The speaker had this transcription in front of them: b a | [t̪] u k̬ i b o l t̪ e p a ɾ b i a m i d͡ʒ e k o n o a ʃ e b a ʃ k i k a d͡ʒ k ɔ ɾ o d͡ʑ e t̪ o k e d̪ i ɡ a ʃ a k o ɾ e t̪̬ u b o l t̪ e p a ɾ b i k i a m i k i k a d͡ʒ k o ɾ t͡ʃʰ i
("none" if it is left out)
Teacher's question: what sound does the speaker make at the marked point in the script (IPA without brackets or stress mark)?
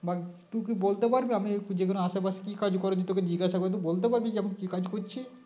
t̪